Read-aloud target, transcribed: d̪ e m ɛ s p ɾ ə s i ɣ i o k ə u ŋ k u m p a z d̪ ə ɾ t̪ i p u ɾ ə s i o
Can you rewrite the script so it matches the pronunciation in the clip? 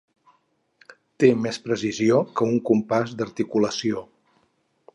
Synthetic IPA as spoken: t̪ e m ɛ s p ɾ ə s i z i o k ə u ŋ k u m p a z d̪ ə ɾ t̪ i k u l ə s i o